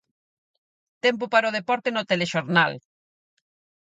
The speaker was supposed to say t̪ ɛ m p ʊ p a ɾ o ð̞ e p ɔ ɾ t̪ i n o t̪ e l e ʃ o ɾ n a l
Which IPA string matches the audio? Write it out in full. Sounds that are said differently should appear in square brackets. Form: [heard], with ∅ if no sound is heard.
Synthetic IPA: t̪ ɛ m p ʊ p a ɾ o ð̞ e p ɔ ɾ t̪ [e] n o t̪ e l e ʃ o ɾ n a l

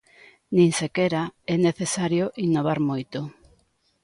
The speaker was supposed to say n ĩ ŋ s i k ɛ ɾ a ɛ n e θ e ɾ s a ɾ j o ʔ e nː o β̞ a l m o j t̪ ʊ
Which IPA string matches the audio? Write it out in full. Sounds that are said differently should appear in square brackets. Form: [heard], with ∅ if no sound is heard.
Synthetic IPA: n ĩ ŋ s [e] k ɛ ɾ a ɛ n e θ e [∅] s a ɾ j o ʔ [i] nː o β̞ a [ɾ] m o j t̪ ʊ

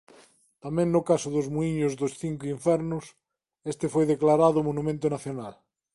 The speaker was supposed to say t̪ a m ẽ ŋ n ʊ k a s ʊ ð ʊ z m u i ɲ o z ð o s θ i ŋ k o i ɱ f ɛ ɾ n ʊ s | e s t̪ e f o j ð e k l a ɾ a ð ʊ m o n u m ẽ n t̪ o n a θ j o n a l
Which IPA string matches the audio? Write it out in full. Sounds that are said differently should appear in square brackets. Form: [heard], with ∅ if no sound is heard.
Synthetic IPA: t̪ a m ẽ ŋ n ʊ k a s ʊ ð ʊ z m u i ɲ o z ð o s θ i ŋ k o i ɱ f ɛ ɾ n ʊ s | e s t̪ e f o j ð e k l a ɾ a ð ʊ m o n u m ẽ n t̪ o n a θ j o n a l

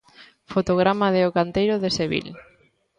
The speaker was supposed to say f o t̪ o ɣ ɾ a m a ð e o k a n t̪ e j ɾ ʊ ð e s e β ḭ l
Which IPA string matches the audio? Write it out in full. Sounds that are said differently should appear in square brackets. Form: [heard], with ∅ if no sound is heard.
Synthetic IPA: f o t̪ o ɣ ɾ a m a ð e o k a n t̪ e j ɾ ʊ ð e s e β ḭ l

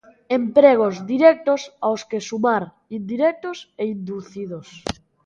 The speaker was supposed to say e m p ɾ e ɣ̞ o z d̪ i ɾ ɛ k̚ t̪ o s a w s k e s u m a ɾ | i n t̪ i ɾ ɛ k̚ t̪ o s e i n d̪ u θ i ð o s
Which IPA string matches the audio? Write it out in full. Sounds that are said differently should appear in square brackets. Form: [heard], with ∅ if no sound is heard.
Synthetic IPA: e m p ɾ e ɣ̞ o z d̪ i ɾ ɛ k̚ t̪ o s a w s k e s u m a ɾ | i n [d̪] i ɾ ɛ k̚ t̪ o s e i n d̪ u θ i ð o s

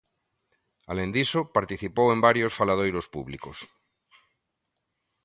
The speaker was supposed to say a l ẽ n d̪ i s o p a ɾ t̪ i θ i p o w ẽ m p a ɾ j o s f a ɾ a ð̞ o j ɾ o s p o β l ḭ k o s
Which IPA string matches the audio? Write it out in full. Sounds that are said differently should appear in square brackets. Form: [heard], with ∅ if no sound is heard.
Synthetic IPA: a l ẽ n d̪ i s o p a ɾ t̪ i θ i p o w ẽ m [b] a ɾ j o s f a [l] a ð̞ o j ɾ o s p [u] β l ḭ k o s

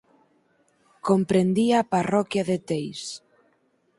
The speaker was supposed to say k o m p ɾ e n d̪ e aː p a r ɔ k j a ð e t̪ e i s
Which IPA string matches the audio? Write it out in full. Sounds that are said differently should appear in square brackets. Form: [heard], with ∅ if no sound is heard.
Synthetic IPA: k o m p ɾ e n d̪ [i] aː p a r ɔ k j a ð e t̪ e [j] s

